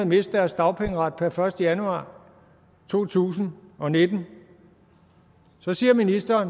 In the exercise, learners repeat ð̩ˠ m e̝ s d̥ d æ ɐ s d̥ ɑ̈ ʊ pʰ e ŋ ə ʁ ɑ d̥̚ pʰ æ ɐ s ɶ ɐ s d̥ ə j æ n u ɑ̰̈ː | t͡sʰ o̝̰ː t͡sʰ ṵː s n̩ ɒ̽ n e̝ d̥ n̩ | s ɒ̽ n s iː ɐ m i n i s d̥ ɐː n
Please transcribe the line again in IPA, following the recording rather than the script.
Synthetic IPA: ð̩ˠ m e̝ s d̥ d æ ɐ s d̥ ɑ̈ ʊ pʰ e ŋ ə ʁ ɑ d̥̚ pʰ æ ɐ f ɶ ɐ s d̥ ə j æ n u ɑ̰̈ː | t͡sʰ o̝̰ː t͡sʰ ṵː s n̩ ɒ̽ n e̝ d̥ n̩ | s ɒ̽ s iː ɐ m i n i s d̥ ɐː n